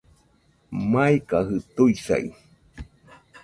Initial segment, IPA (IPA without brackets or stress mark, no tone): m